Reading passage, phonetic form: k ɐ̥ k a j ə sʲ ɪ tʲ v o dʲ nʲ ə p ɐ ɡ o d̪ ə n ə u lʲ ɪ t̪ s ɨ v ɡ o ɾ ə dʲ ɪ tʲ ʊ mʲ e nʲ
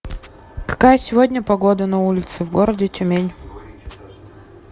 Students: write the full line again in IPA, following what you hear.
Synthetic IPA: k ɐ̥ k a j ə sʲ ɪ v o dʲ nʲ ə p ɐ ɡ o d̪ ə n ɐ u lʲ ɪ t̪ s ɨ v ɡ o ɾ ə dʲ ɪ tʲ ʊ mʲ e nʲ